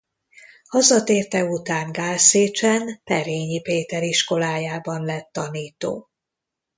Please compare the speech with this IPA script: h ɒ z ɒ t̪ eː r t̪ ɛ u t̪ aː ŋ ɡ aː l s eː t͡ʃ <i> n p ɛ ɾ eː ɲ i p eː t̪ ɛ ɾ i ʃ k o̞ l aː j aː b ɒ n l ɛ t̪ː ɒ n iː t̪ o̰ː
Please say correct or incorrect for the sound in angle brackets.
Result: incorrect